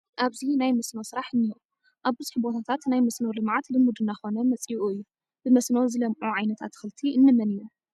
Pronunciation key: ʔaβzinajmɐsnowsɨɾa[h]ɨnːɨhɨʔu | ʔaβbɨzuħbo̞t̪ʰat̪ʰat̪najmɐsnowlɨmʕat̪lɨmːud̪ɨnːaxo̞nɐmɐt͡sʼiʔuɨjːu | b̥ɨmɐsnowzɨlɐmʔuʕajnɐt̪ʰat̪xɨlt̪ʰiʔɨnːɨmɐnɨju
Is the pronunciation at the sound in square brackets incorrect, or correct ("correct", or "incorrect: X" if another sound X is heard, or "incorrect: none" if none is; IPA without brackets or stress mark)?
incorrect: ħ